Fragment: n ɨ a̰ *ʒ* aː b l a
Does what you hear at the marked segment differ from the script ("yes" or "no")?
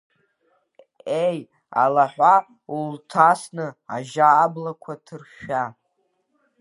no